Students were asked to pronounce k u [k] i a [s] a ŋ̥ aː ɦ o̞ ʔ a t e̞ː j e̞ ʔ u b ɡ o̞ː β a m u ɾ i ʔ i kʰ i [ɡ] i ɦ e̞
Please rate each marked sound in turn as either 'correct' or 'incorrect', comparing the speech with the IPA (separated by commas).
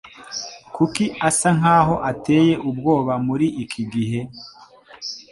correct, correct, correct